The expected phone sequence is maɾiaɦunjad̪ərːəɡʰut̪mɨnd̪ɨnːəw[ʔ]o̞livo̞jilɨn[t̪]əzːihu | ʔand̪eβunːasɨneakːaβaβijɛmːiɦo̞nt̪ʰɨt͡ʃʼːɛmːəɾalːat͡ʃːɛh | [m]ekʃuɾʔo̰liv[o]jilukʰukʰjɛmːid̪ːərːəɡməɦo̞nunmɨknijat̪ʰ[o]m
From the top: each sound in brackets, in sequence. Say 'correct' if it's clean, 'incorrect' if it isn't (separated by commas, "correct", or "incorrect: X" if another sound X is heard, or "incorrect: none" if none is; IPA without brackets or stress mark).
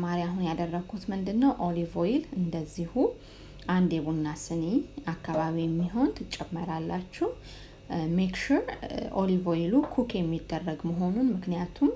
correct, incorrect: d̪, correct, correct, incorrect: u